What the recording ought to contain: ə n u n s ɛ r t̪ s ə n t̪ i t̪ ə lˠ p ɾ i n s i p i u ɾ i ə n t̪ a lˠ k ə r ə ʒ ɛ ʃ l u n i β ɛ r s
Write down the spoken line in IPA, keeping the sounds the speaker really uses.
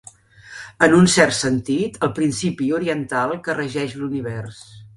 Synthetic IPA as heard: ə n u n s ɛ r t̪ s ə n t̪ i t̪ ə lˠ p ɾ i n s i p i u ɾ i ə n t̪ a lˠ k ə r ə ʒ ɛ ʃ l u n i β ɛ r s

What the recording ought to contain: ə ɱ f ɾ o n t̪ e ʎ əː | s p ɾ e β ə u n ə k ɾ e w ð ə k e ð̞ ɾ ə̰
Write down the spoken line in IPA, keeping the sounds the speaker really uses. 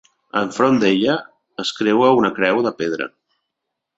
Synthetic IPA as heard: ə ɱ f ɾ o n d̪ e ʎ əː | s k ɾ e w ə u n ə k ɾ ɛ w ð ə p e ð̞ ɾ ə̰

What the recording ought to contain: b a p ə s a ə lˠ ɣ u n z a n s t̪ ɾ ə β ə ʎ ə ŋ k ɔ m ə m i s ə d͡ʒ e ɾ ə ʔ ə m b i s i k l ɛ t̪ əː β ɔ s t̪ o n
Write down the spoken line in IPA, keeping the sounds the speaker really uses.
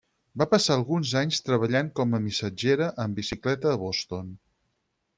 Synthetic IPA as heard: b a p ə s a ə lˠ ɣ u n z a ɲ s t̪ ɾ ə β ə ʎ a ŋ k ɔ m ə m i s ə d͡ʒ e ɾ ə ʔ ə m b i s i k l ɛ t̪ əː β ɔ s t̪ o n

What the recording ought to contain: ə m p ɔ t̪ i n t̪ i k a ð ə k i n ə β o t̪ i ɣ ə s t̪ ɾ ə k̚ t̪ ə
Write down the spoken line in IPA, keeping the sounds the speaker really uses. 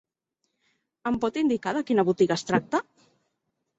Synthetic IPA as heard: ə m p ɔ t̪ i n d̪ i k a ð ə k i n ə β u t̪ i ɣ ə s t̪ ɾ a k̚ t̪ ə

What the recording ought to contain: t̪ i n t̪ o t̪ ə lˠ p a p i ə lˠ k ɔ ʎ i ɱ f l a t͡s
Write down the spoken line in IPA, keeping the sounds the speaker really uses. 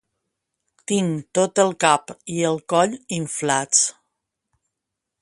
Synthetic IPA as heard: t̪ i ŋ t̪ o t̪ ə lˠ k a p i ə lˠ k ɔ ʎ i ɱ f l a t͡s

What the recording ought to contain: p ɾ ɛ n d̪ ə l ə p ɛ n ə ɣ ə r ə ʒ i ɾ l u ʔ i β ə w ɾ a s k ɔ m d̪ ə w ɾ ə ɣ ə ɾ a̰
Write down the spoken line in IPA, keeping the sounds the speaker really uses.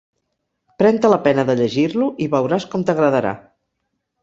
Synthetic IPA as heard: p ɾ ɛ n t̪ ə l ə p ɛ n ə ð ə ʎ ə ʒ i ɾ l u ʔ i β ə w ɾ a s k ɔ m t̪ ə ɣ ɾ ə ð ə ɾ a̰

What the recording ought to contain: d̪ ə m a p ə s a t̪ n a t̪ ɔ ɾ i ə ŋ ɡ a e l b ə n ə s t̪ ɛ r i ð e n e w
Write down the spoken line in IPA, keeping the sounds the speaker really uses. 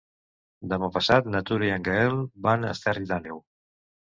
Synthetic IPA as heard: d̪ ə m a p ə s a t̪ n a t̪ u ɾ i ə ŋ ɡ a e l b a n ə s t̪ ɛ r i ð a n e w

